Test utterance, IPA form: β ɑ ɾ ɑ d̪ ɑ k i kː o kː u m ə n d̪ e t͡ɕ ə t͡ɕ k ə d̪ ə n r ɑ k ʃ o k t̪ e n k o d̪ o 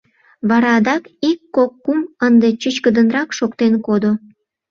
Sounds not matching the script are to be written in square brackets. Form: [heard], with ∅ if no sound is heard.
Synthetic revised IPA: β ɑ ɾ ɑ d̪ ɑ k i kː o kː u m ə n d̪ e t͡ɕ ə t͡ɕ k ə d̪ ə n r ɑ k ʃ o k t̪ e n k o d̪ o

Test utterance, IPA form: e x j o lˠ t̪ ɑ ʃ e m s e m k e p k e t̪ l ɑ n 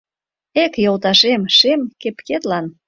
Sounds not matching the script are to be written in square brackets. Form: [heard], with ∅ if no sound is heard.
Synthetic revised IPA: e [k] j o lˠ t̪ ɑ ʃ e m [ʃ] e m k e p k e t̪ l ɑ n

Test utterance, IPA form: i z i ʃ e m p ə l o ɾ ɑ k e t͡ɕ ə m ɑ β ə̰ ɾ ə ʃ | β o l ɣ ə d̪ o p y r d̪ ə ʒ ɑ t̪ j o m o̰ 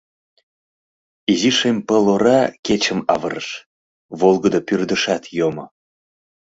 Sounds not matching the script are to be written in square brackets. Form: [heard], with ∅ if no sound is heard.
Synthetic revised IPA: i z i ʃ e m p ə l o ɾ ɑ k e t͡ɕ ə m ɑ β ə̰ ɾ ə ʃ | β o l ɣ ə d̪ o p y r d̪ ə [ʃ] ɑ t̪ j o m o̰

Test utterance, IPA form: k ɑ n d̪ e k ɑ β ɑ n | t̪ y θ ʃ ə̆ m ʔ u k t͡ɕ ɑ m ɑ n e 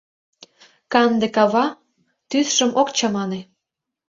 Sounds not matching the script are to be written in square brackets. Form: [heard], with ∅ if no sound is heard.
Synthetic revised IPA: k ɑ n d̪ e k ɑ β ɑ [∅] | t̪ y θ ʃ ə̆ m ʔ [o] k t͡ɕ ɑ m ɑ n e

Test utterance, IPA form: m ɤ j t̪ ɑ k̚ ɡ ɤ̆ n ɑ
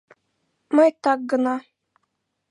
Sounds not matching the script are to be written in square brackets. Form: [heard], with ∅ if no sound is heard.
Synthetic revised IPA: m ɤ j t̪ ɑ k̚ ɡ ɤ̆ n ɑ

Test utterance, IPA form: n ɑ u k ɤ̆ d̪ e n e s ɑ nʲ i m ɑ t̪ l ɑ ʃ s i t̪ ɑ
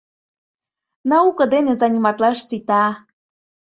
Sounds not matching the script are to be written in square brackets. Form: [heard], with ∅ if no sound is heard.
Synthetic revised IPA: n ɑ u k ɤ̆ d̪ e n e [z] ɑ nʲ i m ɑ t̪ l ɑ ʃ s i t̪ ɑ

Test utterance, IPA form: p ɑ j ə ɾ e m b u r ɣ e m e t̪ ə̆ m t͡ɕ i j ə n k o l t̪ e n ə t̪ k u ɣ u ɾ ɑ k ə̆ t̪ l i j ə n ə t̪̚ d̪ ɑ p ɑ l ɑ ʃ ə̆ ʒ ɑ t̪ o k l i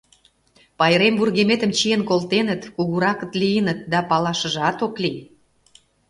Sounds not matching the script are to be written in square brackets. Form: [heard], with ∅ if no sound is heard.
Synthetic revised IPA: p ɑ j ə ɾ e m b u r ɣ e m e t̪ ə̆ m t͡ɕ i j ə n k o l t̪ e n ə t̪ k u ɣ u ɾ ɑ k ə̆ t̪ l i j ə n ə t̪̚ d̪ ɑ p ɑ l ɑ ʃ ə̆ ʒ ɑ t̪ o k l i

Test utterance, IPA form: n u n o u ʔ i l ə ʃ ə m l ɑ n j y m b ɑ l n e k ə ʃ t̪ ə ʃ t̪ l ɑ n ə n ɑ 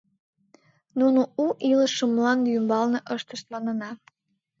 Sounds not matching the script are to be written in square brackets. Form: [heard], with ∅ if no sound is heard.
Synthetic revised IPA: n u n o u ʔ i l ə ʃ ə m l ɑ n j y m b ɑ l n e [ʔ] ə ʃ t̪ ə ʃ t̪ l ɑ n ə n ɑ

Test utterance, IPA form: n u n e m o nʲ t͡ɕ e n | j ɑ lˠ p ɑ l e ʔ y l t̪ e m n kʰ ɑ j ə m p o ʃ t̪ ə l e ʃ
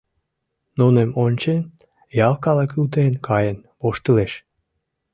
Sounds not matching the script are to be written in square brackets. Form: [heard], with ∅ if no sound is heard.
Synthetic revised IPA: n u n e m o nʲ t͡ɕ e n | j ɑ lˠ [k] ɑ l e [k] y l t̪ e [∅] n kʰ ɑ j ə [n] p o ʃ t̪ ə l e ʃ

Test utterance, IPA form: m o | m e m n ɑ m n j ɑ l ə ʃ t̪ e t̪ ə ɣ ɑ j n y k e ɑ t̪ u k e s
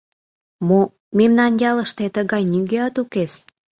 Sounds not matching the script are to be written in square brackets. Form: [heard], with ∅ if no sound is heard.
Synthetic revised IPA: m o | m e m n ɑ [∅] n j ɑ l ə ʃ t̪ e t̪ ə ɣ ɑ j n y [ɡ] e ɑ t̪ u k e s

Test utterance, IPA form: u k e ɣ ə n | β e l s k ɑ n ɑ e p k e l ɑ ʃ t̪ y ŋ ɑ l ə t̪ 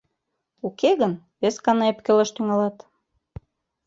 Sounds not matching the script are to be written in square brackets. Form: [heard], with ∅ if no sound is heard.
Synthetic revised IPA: u k e ɣ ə n | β e [∅] s k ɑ n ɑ e p k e l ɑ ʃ t̪ y ŋ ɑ l [ɑ] t̪

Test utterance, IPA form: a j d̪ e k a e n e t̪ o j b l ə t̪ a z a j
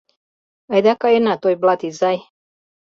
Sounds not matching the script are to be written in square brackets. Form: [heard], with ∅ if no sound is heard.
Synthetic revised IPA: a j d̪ [a] k a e n [a] t̪ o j b l [a] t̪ [i] z a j

